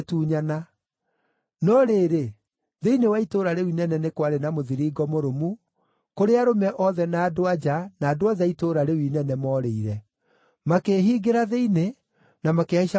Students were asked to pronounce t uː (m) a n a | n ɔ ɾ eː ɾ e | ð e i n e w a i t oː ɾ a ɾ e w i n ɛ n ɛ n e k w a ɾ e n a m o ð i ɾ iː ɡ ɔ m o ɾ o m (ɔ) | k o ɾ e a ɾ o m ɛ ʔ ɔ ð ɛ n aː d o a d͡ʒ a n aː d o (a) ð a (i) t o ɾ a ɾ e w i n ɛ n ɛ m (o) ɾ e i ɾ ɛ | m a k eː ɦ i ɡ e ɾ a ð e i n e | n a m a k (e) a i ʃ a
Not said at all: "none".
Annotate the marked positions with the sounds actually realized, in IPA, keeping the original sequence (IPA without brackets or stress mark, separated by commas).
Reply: ɲ, u, a, i, ɔ, e